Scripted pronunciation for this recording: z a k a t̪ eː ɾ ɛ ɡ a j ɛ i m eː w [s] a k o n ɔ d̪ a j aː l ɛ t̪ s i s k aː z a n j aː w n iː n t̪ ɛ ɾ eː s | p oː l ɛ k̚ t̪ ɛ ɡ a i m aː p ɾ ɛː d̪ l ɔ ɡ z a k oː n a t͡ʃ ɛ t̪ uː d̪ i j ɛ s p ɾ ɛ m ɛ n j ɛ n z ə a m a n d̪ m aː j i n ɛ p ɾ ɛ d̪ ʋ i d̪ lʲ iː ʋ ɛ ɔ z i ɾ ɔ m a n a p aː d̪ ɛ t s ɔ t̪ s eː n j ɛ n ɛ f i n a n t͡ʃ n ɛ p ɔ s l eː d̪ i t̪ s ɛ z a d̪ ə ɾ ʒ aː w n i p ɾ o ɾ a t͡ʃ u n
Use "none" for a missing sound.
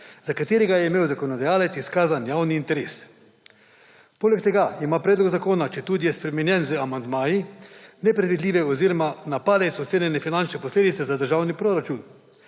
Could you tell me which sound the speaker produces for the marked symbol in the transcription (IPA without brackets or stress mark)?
z